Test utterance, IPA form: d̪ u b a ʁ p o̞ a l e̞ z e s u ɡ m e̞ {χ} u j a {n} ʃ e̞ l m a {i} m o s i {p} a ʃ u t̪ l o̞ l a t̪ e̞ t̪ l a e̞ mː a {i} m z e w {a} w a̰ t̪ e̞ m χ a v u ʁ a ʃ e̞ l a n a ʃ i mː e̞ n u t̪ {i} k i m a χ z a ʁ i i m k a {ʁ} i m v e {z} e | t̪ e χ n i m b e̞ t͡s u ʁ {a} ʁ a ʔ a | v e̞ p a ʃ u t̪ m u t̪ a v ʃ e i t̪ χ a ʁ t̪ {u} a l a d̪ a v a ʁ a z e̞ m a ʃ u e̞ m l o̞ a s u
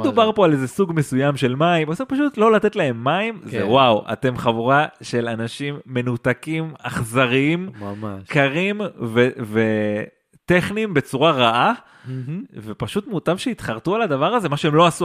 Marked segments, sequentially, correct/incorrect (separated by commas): incorrect, incorrect, correct, correct, correct, correct, incorrect, correct, incorrect, correct, correct